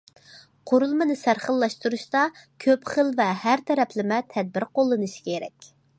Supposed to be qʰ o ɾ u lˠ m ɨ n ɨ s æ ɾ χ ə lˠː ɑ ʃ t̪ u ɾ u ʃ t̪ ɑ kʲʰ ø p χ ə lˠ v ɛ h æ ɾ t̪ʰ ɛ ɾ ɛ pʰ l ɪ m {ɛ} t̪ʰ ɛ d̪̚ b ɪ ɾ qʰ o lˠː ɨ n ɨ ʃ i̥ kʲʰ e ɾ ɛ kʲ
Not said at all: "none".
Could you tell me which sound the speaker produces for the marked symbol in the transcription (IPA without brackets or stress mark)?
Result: ɛ